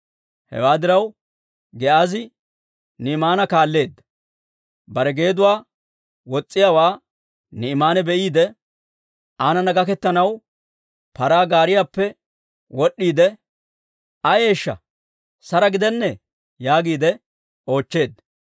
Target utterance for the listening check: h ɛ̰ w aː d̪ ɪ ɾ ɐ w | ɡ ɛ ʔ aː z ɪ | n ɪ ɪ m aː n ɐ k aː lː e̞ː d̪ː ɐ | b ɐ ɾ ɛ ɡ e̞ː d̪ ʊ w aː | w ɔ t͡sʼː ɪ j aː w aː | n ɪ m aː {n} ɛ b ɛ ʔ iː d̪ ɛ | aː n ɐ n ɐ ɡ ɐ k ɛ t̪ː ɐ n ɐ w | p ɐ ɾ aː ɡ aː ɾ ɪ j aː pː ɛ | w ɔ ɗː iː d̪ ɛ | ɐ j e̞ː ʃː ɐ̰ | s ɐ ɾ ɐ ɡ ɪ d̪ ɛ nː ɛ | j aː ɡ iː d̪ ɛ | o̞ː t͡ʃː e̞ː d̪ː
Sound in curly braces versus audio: correct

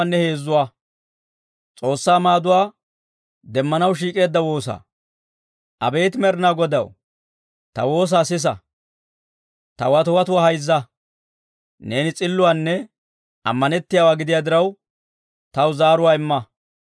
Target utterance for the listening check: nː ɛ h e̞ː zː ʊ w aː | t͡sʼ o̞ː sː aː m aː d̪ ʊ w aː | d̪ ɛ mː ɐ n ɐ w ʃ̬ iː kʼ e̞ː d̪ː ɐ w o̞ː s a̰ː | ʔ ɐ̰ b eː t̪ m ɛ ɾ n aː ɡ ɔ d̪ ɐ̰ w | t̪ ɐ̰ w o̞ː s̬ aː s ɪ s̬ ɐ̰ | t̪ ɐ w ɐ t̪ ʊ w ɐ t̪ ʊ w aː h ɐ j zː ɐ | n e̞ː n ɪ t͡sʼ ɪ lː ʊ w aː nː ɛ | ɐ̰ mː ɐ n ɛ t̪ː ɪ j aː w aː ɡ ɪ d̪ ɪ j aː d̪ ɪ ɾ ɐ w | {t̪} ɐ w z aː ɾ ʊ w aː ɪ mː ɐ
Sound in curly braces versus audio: correct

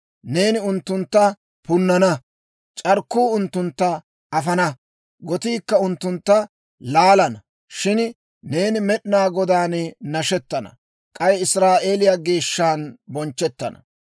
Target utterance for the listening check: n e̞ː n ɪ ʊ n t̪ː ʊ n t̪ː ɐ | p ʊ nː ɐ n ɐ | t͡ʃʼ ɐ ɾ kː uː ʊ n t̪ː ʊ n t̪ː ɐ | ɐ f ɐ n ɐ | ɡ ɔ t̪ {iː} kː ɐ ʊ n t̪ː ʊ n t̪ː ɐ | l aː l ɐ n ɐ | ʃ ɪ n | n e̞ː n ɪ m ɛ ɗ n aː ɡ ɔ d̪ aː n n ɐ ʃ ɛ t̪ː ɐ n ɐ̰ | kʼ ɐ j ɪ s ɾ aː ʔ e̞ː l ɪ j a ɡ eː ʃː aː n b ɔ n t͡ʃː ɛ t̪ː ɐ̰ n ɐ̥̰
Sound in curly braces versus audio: correct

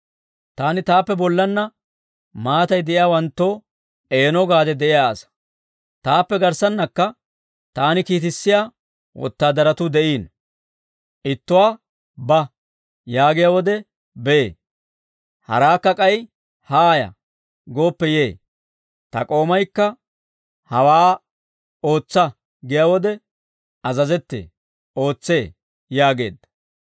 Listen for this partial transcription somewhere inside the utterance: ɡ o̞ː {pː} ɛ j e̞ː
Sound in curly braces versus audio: correct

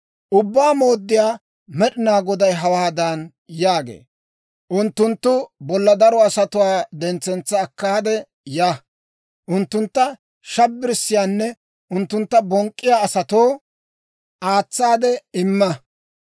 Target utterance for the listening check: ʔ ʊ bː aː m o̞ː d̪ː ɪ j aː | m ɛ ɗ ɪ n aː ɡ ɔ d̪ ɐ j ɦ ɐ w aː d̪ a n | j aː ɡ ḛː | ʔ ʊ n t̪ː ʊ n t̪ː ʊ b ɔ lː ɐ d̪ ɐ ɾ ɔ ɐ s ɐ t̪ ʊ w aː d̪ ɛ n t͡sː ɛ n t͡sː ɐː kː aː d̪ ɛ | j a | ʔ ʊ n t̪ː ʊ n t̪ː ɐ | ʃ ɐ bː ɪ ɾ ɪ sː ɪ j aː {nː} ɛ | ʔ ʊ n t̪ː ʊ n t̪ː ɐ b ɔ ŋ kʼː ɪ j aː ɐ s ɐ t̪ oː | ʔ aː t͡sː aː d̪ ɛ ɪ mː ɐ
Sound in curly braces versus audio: correct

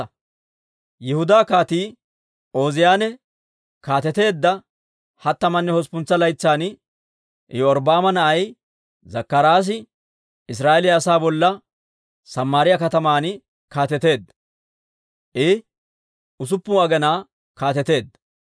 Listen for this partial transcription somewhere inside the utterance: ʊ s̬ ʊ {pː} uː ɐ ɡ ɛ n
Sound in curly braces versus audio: correct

